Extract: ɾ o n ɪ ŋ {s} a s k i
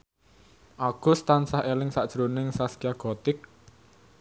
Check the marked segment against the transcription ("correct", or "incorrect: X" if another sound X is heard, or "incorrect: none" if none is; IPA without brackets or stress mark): correct